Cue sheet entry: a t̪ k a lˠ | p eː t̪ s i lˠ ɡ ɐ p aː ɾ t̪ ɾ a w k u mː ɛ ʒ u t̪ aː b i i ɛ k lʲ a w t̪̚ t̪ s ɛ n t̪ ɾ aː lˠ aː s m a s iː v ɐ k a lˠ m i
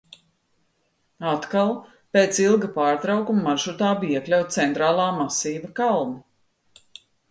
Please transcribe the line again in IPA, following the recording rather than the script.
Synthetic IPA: a t̪ k a lˠ | p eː t̪ s i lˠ ɡ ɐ p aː ɾ t̪ ɾ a w k u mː a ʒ u t̪ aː b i i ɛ k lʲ a w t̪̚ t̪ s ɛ n t̪ ɾ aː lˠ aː m a s iː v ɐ k a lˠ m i